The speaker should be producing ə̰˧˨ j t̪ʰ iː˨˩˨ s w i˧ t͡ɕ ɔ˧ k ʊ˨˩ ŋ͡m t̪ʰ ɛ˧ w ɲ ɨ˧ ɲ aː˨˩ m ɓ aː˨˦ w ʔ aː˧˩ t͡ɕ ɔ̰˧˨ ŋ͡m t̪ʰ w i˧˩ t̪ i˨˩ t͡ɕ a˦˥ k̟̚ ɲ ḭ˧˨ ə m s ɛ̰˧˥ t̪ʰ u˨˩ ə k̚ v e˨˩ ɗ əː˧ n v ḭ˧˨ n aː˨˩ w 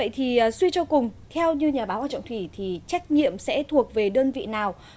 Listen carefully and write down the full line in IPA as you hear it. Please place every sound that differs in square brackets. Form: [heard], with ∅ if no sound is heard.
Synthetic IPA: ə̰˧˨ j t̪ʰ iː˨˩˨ s w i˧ t͡ɕ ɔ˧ k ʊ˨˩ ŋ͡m t̪ʰ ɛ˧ w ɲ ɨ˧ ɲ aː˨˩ [∅] ɓ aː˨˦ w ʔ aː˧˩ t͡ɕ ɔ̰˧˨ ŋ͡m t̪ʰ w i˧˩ [t̪ʰ] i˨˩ t͡ɕ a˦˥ k̟̚ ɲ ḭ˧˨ ə m s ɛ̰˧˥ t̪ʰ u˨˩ ə k̚ v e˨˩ ɗ əː˧ n v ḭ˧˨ n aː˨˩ w